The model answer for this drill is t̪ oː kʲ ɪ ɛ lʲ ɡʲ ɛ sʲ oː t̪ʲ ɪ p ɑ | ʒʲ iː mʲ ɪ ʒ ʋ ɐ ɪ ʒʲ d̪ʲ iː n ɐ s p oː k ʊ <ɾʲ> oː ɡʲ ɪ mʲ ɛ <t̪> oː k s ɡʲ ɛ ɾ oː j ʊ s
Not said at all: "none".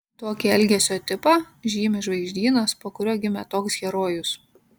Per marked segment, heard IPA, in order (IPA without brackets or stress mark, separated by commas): ɾʲ, t̪